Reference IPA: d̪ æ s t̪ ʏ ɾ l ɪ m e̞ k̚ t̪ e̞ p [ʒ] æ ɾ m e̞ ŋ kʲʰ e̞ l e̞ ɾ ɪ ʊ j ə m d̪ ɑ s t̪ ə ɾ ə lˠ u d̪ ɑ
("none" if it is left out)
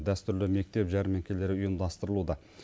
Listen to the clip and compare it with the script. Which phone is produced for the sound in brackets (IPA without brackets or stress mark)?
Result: ʒ